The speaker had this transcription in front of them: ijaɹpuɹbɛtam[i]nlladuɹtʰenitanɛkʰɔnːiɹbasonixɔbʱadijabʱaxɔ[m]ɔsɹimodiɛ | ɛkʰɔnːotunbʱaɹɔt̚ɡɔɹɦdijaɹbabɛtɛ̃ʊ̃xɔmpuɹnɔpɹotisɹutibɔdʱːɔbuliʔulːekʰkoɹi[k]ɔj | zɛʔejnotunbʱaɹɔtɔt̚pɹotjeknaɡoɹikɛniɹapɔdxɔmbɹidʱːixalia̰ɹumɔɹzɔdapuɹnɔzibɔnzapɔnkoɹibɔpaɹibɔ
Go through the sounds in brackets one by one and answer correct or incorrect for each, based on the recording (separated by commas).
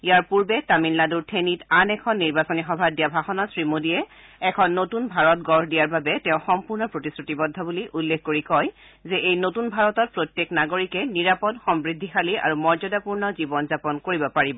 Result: correct, incorrect, correct